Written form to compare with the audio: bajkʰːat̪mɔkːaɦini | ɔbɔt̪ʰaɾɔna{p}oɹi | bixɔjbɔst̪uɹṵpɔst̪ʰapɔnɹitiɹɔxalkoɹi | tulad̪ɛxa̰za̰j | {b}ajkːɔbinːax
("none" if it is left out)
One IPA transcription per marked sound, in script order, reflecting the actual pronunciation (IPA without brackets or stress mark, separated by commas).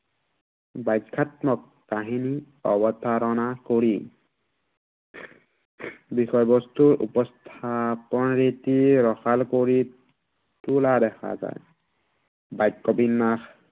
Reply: k, b